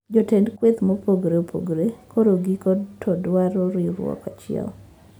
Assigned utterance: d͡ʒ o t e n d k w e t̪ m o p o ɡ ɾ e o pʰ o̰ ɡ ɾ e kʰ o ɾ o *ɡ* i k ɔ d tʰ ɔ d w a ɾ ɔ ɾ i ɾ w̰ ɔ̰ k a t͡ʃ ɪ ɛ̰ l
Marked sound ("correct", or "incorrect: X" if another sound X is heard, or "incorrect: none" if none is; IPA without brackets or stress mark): correct